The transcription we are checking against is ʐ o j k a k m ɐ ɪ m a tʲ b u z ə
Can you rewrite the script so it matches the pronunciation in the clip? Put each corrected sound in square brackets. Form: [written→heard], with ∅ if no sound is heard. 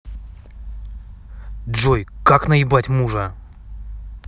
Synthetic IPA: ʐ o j k a k [m→n] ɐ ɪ [m→b] a tʲ [b→m] u [z→ʐ] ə